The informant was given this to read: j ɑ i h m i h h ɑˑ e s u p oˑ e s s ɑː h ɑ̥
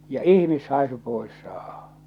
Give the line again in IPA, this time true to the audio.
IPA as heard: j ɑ i h m i s h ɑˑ e s u p oˑ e s s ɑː h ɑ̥